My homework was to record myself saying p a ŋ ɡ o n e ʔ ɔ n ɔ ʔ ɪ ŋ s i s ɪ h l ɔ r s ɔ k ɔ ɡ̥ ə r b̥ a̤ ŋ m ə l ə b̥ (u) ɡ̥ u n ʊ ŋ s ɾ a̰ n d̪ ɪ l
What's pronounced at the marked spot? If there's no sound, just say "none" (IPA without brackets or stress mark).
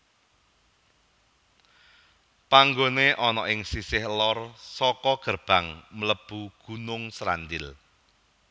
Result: u